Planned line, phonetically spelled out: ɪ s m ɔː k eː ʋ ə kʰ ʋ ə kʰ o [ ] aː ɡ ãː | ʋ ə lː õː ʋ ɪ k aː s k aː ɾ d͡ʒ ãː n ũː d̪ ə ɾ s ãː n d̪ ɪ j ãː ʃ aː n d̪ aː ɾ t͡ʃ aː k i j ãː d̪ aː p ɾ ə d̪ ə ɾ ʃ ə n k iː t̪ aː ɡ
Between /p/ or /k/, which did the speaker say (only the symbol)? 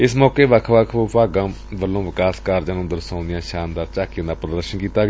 p